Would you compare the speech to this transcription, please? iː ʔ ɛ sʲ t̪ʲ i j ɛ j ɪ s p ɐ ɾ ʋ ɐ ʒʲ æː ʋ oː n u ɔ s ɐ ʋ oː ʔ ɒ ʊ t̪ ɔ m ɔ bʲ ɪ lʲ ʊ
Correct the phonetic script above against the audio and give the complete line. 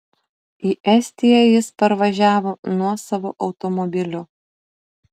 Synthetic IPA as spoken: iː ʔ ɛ sʲ t̪ʲ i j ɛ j ɪ s p ɐ ɾ ʋ ɐ ʒʲ æː ʋ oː n u ɔ s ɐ ʋ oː ʔ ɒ ʊ t̪ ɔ m ɔ bʲ ɪ lʲ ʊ